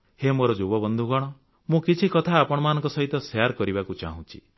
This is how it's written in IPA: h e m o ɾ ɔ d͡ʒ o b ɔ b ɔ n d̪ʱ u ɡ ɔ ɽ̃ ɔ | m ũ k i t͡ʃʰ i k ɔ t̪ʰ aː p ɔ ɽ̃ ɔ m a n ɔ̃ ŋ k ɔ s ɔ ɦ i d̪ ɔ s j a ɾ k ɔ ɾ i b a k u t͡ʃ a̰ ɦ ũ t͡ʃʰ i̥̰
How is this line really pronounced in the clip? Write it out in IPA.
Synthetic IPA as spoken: h e m o ɾ ɔ d͡ʒ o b ɔ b ɔ n d̪ʱ u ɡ ɔ ɽ̃ ɔ | m ũ k i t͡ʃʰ i k ɔ t̪ʰ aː p ɔ ɽ̃ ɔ m a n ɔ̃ ŋ k ɔ s ɔ ɦ i t̪ ɔ s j a ɾ k ɔ ɾ i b a k u t͡ʃ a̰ ɦ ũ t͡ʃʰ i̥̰